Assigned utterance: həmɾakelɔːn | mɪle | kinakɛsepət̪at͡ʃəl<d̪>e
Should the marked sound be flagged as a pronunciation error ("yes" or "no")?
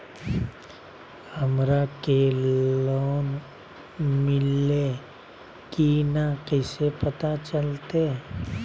yes